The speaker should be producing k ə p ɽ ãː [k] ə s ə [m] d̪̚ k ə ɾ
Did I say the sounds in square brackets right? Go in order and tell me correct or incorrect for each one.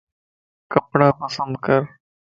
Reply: incorrect: p, incorrect: n

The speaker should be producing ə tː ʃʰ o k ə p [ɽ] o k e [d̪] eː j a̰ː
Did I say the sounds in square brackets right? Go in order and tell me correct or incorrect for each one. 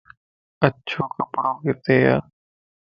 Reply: correct, incorrect: t̪

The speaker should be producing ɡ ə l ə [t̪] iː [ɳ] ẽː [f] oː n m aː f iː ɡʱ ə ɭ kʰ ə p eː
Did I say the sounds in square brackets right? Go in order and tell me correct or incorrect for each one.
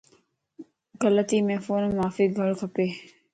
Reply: correct, incorrect: m, correct

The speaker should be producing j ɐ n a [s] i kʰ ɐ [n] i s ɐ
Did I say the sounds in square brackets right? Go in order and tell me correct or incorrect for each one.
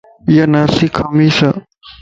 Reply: correct, incorrect: m

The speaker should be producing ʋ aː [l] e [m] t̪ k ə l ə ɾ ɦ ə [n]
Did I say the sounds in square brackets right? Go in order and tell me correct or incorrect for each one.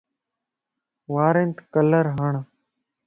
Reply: incorrect: ɾ, incorrect: n, incorrect: ɳ

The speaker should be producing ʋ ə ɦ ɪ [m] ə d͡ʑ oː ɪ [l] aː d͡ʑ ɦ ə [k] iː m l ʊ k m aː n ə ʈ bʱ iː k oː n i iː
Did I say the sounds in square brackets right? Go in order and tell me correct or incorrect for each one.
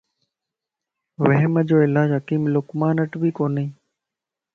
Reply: correct, correct, correct

